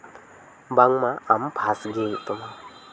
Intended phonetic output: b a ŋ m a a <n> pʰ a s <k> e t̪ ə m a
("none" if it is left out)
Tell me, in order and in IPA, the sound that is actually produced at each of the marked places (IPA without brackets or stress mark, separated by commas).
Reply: m, ɡ